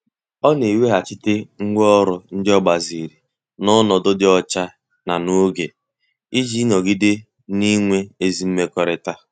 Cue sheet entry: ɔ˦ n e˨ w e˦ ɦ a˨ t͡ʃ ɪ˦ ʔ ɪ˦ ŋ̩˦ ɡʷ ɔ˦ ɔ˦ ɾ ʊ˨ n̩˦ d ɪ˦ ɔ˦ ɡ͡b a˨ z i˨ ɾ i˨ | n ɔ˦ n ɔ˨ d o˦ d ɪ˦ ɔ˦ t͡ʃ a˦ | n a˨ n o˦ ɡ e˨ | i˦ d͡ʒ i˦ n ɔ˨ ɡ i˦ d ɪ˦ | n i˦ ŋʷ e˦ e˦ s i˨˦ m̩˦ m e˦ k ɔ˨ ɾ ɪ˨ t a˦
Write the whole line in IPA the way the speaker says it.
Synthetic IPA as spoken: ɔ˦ n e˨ w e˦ ɦ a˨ t͡ʃ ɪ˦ t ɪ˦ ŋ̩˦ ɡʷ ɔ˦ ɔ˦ ɾ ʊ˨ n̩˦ d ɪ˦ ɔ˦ ɡ͡b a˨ z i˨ ɾ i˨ | n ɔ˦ n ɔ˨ d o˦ d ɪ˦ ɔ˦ t͡ʃ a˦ | n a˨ n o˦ ɡ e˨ | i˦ d͡ʒ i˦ n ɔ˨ ɡ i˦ d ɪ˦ | n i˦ ŋʷ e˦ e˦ z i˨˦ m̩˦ m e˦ k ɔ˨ ɾ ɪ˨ t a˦